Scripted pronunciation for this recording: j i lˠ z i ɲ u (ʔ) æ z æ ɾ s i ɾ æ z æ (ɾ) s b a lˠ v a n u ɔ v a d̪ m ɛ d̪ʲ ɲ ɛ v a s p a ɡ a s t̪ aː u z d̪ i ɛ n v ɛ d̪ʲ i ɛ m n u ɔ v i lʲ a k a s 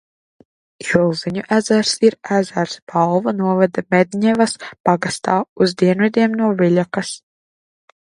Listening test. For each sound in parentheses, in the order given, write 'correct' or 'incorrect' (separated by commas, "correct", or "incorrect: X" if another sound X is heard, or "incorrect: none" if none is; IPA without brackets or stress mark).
correct, correct